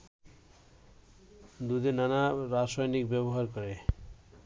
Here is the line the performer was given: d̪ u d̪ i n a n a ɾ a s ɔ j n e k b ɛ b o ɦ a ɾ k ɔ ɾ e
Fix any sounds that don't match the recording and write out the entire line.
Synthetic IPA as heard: d̪ u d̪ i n a n a ɾ a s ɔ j n i k b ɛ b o ɦ a ɾ k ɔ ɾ e